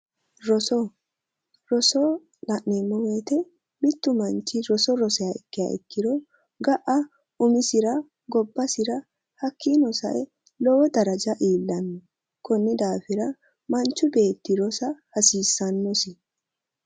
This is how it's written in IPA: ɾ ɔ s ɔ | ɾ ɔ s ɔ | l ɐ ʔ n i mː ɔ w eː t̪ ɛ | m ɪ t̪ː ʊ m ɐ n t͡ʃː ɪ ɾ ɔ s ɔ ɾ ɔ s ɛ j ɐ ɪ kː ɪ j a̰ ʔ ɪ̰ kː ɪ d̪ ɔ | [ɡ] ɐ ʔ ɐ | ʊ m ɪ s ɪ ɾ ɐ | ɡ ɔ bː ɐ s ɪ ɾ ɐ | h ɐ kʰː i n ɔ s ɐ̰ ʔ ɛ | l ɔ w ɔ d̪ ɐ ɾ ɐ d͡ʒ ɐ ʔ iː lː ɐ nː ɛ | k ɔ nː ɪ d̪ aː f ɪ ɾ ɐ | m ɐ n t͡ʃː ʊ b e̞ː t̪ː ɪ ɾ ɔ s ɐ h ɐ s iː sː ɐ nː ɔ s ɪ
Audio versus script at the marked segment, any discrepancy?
no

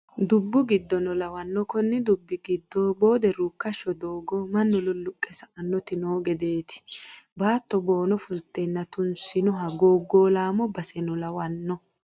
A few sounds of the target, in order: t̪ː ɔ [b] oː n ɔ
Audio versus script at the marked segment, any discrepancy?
no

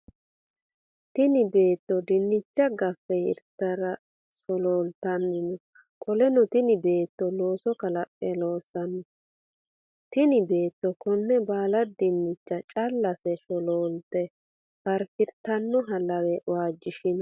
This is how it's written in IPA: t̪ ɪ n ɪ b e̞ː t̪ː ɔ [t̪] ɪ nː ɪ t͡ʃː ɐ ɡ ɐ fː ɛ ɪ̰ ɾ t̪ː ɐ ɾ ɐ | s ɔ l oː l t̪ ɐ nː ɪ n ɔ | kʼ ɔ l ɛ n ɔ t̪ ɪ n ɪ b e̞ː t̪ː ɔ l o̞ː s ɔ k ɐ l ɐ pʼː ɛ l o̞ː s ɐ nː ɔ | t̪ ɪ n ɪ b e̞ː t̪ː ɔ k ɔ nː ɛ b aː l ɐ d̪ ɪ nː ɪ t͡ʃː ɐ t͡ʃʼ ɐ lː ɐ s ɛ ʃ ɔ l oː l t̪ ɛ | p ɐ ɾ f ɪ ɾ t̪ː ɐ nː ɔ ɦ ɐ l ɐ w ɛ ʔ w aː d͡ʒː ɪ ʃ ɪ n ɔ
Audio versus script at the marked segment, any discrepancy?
yes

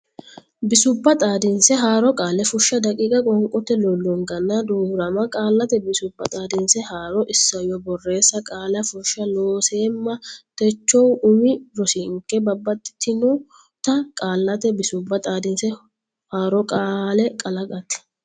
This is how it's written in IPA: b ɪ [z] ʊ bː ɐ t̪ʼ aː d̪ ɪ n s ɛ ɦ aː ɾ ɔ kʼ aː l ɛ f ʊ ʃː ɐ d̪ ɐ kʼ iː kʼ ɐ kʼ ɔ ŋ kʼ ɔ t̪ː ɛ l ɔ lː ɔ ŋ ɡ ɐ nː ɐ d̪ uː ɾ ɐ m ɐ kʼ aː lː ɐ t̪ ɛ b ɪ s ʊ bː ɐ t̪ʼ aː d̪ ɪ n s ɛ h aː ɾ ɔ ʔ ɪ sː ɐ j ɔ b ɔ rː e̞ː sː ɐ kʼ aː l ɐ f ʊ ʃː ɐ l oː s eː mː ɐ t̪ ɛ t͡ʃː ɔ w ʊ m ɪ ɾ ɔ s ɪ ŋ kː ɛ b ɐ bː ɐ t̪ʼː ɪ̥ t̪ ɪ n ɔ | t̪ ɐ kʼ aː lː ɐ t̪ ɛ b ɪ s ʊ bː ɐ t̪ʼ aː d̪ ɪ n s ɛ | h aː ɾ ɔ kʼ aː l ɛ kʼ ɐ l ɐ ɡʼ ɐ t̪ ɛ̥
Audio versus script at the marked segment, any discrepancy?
yes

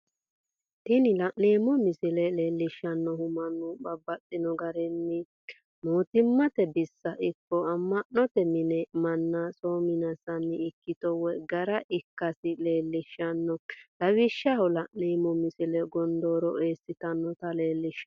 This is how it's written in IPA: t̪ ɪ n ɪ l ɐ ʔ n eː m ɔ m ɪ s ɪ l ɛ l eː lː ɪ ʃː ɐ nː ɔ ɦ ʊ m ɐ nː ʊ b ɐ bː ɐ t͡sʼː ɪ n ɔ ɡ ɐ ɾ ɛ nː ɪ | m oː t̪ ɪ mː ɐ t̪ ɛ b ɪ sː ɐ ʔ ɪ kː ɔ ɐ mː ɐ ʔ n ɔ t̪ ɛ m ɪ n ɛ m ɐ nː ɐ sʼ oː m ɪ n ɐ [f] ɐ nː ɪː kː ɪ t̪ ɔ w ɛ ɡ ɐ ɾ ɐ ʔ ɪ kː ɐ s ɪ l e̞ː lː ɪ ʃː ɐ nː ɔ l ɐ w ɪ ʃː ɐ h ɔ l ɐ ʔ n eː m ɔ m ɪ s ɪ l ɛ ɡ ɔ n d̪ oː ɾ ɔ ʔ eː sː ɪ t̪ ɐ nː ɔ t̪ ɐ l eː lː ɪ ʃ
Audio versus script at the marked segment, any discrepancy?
yes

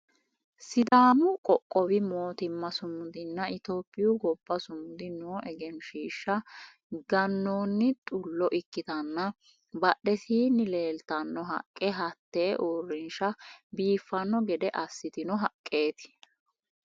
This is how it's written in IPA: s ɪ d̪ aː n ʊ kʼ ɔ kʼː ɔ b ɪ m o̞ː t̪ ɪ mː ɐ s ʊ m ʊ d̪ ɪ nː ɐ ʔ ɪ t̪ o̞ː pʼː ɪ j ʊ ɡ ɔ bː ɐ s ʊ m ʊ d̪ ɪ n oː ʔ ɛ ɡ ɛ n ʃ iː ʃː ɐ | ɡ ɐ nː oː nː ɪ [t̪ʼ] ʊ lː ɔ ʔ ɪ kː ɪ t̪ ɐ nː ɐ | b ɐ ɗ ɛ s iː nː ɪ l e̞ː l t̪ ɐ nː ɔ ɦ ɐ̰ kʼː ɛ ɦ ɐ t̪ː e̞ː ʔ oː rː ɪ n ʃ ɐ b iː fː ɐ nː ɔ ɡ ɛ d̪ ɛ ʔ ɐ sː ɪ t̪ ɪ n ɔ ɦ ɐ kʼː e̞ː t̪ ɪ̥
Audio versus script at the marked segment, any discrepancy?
no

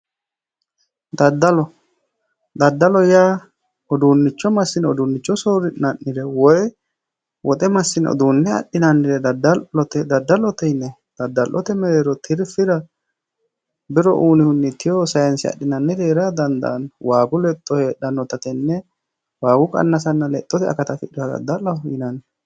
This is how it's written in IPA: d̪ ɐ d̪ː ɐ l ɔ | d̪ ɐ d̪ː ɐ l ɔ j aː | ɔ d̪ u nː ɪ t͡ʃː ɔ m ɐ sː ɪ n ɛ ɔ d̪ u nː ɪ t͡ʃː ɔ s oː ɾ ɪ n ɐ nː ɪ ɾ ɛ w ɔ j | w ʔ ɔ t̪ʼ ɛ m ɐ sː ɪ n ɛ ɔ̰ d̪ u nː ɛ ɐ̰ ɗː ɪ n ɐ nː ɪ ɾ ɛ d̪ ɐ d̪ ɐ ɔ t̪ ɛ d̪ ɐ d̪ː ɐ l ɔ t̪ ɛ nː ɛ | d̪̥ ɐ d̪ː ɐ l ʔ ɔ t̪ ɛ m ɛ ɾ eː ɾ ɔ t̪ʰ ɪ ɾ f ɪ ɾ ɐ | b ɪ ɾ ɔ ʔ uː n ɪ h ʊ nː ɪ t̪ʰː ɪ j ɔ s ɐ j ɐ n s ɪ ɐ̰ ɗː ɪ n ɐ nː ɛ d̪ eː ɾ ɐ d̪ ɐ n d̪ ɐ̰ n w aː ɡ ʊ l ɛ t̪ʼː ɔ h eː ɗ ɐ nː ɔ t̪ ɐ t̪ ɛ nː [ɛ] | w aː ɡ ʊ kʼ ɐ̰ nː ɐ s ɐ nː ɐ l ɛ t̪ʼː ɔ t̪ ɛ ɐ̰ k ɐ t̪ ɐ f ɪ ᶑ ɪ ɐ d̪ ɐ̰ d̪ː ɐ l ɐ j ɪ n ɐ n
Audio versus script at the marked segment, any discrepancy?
no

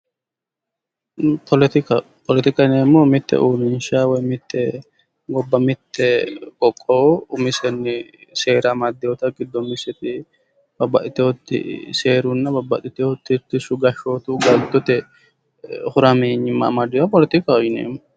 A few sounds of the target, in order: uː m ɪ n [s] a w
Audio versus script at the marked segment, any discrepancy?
yes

